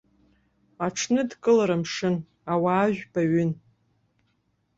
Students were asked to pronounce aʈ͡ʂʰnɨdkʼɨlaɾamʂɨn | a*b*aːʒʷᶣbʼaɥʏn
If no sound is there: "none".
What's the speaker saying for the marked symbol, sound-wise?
w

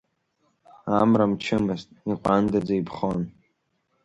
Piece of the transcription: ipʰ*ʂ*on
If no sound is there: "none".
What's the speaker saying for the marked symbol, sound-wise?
χ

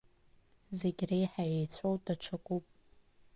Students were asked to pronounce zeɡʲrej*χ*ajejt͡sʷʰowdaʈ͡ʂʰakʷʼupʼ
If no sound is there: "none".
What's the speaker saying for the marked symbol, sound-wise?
ħ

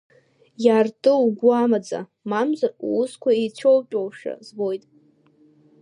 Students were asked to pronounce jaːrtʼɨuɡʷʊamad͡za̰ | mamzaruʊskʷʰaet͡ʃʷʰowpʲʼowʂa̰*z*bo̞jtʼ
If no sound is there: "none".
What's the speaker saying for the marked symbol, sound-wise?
z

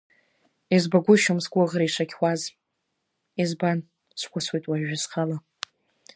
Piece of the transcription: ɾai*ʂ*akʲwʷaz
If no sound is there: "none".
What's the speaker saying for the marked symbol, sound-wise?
ʂ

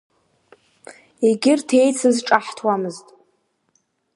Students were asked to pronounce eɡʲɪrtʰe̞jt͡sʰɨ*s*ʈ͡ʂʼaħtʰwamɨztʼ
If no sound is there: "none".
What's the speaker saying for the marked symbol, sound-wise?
z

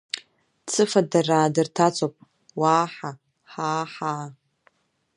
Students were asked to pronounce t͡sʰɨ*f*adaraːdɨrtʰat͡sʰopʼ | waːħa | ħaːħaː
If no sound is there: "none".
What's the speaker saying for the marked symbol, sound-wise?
f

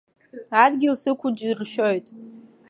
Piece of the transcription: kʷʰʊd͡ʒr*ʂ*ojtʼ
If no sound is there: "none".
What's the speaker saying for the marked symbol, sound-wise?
ʃ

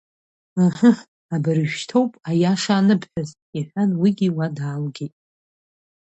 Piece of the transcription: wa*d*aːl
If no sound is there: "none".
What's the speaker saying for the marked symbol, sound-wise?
d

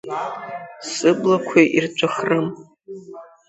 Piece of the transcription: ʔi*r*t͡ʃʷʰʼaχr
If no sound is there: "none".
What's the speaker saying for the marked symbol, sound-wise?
r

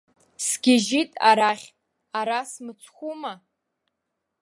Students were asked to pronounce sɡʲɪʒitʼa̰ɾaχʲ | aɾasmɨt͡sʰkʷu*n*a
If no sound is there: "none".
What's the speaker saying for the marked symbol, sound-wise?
m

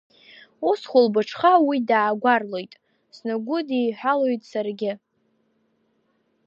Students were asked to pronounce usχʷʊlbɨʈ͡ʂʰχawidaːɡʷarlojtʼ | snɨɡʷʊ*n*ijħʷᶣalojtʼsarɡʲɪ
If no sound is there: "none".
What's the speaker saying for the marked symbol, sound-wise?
d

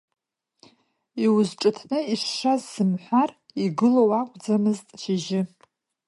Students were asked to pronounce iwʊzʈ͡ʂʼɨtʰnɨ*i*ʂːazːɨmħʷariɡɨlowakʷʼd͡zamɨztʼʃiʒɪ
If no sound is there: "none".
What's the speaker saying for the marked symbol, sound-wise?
i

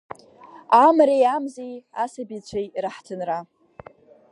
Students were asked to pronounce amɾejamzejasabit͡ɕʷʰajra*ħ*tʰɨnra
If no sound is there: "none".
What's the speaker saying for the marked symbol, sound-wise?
ħ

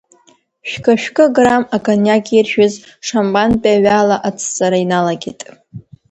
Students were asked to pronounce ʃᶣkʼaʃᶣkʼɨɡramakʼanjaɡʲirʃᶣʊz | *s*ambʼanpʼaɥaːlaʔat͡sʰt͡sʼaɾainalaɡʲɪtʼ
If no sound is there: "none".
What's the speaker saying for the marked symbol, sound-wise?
ʂ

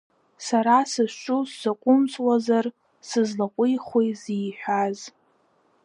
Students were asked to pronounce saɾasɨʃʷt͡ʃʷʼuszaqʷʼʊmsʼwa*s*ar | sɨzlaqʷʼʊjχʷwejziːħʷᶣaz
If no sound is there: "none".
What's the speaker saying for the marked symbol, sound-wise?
z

